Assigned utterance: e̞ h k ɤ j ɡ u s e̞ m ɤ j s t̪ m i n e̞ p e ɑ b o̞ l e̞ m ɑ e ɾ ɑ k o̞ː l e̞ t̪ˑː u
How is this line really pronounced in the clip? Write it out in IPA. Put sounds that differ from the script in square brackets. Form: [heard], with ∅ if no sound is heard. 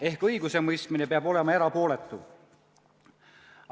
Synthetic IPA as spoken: e̞ h k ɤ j ɡ u s e̞ m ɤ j s t̪ m i n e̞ p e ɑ b o̞ l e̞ m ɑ e ɾ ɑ [p] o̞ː l e̞ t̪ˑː u